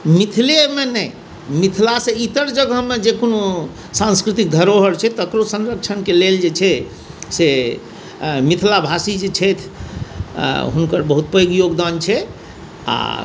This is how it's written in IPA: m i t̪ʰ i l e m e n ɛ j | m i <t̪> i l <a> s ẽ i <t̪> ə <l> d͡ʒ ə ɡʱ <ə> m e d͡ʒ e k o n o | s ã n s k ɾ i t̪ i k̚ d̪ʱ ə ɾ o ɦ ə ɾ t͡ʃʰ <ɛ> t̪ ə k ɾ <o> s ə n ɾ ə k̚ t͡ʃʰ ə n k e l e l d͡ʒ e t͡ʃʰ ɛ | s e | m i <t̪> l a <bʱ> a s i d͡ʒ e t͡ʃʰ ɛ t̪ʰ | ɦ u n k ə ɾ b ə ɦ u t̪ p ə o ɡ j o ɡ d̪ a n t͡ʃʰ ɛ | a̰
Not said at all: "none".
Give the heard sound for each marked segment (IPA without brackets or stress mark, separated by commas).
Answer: t̪ʰ, a, t̪, ɾ, ə, ɛ, o, t̪ʰ, bʱ